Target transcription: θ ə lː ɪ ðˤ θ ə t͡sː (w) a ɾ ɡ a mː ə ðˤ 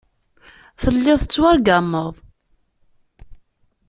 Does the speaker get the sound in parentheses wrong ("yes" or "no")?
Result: no